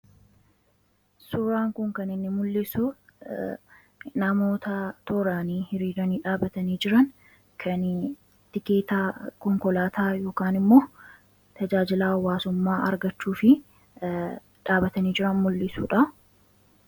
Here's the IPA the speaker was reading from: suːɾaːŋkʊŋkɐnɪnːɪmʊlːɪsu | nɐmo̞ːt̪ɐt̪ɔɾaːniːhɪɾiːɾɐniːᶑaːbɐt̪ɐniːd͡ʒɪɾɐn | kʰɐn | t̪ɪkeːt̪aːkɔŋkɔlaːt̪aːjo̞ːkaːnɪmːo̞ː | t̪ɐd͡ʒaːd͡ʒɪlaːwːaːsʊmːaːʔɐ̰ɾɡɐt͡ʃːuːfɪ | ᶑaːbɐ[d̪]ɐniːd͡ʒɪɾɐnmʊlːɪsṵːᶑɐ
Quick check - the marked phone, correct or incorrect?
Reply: incorrect